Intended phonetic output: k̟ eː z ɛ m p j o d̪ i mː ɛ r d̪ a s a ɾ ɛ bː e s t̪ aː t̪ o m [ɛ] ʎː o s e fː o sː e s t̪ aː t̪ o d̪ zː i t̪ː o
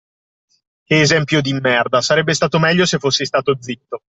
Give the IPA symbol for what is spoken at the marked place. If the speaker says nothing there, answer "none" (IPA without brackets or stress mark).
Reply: ɛ